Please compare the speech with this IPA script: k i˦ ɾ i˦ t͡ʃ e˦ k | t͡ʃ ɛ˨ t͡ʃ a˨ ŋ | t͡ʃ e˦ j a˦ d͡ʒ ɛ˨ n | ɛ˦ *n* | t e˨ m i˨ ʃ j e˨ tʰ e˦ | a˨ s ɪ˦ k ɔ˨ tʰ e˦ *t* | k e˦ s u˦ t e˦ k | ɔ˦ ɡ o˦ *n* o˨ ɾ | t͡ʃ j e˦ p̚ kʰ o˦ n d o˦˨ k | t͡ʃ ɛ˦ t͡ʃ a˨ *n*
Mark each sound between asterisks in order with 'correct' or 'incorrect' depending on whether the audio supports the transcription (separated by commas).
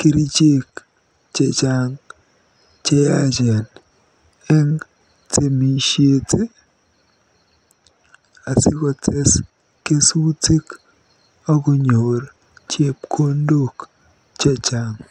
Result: incorrect, incorrect, incorrect, incorrect